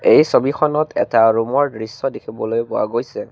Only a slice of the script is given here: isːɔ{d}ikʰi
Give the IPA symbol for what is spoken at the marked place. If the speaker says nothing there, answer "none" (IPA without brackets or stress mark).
d